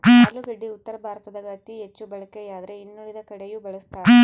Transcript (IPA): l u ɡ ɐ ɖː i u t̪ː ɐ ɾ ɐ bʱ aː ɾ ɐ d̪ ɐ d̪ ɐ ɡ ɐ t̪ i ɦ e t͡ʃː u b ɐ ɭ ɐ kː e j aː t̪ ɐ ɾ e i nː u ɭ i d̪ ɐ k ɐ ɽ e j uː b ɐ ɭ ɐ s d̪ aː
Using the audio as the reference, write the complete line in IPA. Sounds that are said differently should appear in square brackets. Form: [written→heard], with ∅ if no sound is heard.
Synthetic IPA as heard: l u ɡ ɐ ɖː i u t̪ː ɐ ɾ ɐ bʱ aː ɾ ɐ [d̪→t̪] ɐ d̪ ɐ ɡ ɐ t̪ i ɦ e t͡ʃː u b ɐ ɭ ɐ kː e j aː [t̪→d̪] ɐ ɾ e i nː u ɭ i d̪ ɐ k ɐ ɽ e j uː b ɐ ɭ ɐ s [d̪→t̪] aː